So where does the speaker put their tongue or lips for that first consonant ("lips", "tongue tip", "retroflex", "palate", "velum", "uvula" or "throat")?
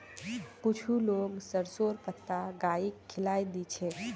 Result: velum